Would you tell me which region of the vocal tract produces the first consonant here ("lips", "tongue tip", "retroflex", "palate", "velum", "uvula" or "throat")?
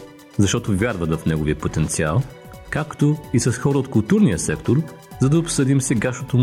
tongue tip